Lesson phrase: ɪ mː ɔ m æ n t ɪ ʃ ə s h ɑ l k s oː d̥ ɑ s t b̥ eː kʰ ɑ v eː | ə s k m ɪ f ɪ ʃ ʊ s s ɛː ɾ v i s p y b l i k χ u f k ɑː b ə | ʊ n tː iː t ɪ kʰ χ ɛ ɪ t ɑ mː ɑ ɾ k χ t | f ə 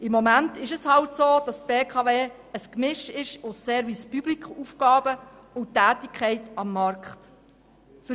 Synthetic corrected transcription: ɪ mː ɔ m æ n t ɪ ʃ ə s h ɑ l t s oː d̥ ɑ s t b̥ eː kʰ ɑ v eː | ə s k m ɪ ʃ ɪ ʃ ʊ s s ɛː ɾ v i s p y b l i k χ u f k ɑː b ə | ʊ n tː æː t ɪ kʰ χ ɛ ɪ t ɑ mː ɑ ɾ k χ t | f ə